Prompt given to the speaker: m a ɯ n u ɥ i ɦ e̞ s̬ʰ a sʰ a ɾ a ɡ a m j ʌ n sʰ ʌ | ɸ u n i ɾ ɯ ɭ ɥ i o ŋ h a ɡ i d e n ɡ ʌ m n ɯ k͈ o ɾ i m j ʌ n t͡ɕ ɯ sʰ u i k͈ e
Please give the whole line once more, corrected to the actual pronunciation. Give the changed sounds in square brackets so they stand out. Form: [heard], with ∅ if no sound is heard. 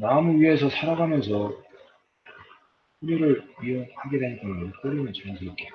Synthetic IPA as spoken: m a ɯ [m] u ɥ i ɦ e̞ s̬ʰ [ʌ] sʰ a ɾ a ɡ a m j ʌ n sʰ ʌ | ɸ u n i ɾ ɯ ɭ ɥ i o ŋ h a ɡ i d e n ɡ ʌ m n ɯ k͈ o ɾ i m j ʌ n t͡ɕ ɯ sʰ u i k͈ e

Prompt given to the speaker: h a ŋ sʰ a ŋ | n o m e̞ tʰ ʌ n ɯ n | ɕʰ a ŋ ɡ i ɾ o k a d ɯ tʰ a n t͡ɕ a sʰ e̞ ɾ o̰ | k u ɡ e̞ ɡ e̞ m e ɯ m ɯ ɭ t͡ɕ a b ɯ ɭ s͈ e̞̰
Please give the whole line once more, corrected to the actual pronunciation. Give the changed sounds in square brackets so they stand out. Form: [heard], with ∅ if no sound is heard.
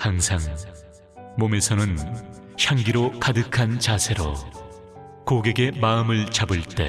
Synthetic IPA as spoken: h a ŋ sʰ a ŋ | [m] o m e̞ [sʰ] ʌ n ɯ n | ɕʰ a ŋ ɡ i ɾ o k a d ɯ [kʰ] a n t͡ɕ a sʰ e̞ ɾ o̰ | k [o] ɡ e̞ ɡ e̞ m [a] ɯ m ɯ ɭ t͡ɕ a b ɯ ɭ [t͈] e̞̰

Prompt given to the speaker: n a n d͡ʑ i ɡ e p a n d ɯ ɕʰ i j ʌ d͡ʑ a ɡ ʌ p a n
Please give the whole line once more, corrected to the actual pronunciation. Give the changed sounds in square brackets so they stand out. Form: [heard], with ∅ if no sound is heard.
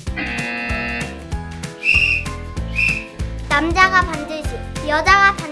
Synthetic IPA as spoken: n a [m] d͡ʑ [a] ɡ [a] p a n d ɯ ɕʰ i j ʌ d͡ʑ a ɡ [a] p a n

